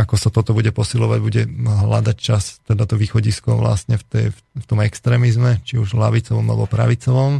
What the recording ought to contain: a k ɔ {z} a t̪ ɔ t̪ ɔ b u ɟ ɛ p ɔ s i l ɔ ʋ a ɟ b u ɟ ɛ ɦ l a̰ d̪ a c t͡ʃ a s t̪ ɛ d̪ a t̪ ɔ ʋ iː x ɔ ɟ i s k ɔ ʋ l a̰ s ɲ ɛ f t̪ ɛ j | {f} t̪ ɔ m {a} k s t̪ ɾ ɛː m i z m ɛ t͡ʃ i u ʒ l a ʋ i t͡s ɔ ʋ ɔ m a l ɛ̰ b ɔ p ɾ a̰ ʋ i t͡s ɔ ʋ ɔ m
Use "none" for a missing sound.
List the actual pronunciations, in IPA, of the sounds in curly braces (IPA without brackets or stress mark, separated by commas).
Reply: s, f, ɛ